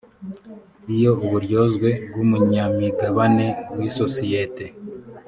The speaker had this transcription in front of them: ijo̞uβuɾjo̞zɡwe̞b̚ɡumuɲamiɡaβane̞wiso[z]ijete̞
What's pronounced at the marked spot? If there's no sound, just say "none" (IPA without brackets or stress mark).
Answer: s